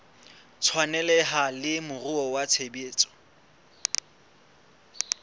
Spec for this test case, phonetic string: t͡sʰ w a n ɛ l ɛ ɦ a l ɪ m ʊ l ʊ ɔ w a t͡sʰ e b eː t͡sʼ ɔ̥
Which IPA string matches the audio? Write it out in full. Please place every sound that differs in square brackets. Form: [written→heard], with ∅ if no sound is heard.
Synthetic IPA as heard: t͡sʰ w a n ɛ l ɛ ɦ a l ɪ m ʊ [l→r] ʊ ɔ w a t͡sʰ e b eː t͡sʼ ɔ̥